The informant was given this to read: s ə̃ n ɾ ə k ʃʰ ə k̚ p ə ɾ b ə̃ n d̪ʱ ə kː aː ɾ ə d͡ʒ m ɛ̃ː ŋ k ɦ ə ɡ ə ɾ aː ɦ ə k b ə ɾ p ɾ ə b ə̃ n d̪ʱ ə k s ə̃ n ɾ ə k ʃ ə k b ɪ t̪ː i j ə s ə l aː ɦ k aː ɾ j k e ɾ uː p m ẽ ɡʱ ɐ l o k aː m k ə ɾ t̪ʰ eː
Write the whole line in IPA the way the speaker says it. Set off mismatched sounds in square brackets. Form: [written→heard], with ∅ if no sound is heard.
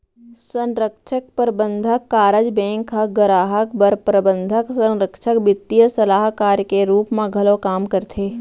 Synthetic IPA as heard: s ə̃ n ɾ ə k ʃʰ ə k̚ p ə ɾ b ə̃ n d̪ʱ ə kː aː ɾ ə d͡ʒ [m→b] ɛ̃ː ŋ k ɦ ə ɡ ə ɾ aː ɦ ə k b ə ɾ p ɾ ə b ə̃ n d̪ʱ ə k s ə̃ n ɾ ə k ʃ ə k b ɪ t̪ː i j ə s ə l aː ɦ k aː ɾ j k e ɾ uː p m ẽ ɡʱ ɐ l o k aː m k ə ɾ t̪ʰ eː